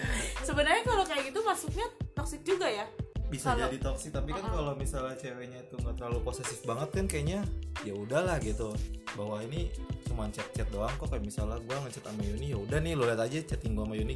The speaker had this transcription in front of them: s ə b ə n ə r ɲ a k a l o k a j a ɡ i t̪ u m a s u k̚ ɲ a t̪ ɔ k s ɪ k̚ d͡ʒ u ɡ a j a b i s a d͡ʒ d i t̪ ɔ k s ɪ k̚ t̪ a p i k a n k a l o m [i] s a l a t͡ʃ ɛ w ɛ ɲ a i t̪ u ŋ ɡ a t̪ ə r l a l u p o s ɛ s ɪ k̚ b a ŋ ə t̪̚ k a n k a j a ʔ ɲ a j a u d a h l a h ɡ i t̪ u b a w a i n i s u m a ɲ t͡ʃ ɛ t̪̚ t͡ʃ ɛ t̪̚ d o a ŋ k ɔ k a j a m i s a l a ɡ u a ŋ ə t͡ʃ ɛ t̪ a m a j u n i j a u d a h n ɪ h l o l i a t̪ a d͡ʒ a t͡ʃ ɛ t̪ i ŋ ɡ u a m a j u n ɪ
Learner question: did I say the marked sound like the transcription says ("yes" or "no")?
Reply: yes